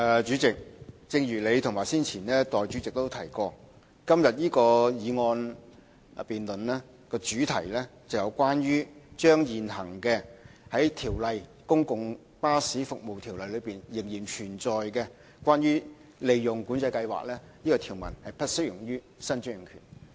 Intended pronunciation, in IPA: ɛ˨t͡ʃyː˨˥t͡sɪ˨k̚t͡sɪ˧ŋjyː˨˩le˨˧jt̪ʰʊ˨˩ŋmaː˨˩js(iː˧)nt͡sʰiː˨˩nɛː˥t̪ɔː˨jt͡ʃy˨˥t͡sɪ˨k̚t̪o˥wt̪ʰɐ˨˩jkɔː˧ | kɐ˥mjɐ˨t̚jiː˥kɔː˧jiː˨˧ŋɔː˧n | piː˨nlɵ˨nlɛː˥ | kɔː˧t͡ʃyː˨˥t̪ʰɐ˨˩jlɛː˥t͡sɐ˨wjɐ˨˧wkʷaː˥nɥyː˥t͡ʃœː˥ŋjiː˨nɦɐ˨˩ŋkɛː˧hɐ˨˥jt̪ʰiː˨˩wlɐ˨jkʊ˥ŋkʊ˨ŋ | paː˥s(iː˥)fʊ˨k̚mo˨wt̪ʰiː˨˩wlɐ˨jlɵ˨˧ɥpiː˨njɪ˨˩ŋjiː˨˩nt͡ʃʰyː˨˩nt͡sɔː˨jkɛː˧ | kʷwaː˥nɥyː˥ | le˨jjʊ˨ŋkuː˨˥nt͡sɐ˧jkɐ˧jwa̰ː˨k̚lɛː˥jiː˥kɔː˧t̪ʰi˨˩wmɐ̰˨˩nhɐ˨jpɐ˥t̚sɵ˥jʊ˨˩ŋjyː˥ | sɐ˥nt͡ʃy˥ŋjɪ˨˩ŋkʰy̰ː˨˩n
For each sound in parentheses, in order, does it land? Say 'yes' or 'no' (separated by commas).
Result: no, no